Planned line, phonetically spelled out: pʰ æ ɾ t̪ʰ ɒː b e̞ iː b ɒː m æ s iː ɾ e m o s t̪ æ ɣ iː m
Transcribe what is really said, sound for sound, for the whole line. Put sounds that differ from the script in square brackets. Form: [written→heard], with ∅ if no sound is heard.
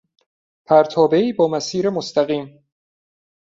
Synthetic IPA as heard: pʰ æ ɾ t̪ʰ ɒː b e̞ iː b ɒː m æ s iː ɾ e m o s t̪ æ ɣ iː m